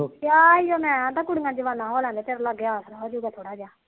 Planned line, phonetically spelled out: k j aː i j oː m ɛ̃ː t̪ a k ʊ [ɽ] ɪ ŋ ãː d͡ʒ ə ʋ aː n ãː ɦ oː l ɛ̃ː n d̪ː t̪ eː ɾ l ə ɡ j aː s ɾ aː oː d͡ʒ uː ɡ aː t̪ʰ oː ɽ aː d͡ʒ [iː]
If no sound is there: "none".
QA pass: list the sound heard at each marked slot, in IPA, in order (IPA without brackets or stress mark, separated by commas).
ɽ, aː